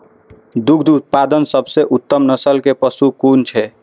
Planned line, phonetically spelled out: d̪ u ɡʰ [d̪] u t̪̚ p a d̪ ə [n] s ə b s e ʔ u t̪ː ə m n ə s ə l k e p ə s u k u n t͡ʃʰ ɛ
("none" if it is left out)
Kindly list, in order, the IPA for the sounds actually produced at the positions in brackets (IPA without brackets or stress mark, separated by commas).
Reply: d̪, n